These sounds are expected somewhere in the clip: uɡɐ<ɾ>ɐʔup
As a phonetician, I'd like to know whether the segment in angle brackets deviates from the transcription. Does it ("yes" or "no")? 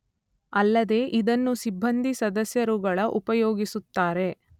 yes